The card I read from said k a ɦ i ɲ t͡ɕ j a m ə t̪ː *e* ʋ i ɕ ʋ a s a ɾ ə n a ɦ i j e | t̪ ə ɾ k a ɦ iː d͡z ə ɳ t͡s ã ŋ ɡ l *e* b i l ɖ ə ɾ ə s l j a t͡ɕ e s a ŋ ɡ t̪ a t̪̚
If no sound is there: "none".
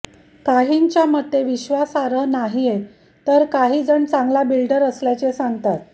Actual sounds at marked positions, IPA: e, a

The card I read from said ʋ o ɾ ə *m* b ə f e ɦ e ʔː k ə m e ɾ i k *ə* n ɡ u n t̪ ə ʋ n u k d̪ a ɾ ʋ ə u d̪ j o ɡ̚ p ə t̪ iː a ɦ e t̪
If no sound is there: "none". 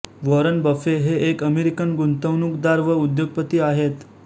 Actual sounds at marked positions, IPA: n, ə

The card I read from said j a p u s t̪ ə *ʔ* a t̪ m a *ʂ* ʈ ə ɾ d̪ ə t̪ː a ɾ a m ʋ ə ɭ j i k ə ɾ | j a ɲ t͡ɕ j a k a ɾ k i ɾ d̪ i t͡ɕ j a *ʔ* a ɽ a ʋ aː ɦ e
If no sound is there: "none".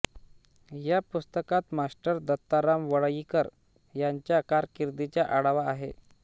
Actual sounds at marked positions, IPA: k, s, ʔ

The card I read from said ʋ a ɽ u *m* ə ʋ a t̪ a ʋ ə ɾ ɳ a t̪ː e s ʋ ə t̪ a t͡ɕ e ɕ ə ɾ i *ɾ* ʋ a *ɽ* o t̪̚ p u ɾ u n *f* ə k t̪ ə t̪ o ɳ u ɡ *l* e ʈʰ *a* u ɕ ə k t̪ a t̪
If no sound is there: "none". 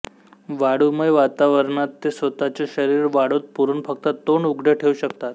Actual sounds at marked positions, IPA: m, ɾ, ɽ, f, ɽ, e

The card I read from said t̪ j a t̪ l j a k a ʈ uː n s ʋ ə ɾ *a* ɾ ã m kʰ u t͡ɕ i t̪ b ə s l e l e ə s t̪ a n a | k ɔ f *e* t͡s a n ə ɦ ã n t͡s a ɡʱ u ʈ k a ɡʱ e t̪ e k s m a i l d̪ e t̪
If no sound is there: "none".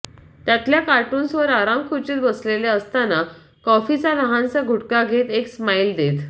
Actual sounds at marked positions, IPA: a, i

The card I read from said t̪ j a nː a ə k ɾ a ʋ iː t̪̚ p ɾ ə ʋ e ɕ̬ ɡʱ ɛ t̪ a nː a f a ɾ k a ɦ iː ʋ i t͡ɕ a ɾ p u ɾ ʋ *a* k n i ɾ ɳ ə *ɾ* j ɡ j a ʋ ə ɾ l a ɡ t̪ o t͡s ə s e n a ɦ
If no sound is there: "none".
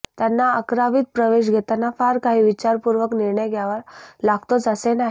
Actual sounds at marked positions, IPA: ə, none

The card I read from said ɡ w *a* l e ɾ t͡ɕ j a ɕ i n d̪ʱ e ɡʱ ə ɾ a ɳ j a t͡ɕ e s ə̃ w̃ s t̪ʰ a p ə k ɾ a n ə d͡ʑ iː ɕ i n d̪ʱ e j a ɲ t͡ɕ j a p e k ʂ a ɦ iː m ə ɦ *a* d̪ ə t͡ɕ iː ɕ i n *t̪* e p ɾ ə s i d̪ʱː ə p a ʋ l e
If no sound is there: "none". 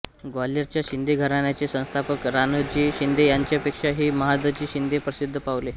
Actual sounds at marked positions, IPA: a, a, d̪

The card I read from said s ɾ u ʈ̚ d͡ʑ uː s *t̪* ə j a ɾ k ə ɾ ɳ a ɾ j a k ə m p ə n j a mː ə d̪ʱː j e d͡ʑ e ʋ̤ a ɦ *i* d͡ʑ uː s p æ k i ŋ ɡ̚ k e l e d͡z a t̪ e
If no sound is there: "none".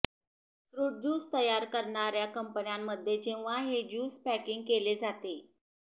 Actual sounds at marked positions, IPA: t̪, e

